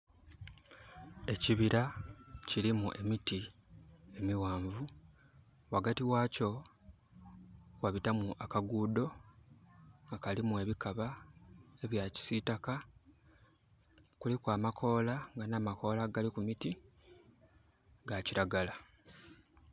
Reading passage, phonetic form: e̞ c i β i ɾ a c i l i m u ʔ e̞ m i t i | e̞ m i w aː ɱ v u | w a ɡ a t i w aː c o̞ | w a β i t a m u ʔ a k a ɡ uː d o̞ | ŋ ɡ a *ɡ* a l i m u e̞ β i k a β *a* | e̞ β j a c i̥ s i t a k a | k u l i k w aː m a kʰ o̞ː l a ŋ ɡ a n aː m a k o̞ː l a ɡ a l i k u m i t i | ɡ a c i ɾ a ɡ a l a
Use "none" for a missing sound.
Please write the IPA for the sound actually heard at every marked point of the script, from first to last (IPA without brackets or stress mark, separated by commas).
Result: k, a